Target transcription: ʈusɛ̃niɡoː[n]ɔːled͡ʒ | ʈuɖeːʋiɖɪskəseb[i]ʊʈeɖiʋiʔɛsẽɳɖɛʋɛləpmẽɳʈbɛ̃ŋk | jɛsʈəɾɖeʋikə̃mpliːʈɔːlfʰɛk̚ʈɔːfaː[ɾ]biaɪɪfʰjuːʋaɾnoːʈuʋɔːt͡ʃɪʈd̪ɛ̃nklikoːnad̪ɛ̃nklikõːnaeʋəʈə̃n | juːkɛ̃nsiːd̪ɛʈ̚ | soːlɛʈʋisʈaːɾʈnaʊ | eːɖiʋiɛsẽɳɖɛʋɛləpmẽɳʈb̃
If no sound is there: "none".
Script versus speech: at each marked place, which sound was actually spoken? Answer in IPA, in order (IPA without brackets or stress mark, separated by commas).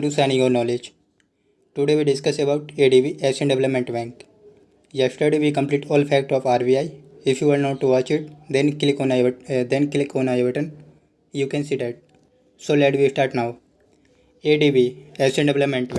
n, a, ɾ